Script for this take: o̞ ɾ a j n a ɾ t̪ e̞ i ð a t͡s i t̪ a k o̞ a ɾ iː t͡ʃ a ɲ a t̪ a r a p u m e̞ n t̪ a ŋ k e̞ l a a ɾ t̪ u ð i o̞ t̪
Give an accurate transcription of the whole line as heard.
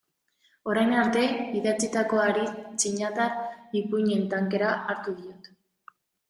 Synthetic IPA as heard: o̞ ɾ a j n a ɾ t̪ e̞ i ð a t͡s i t̪ a k o̞ a ɾ i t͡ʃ i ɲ a t̪ a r i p u ɲ e̞ n t̪ a ŋ k e̞ ɾ a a ɾ t̪ u ð i o̞ t̪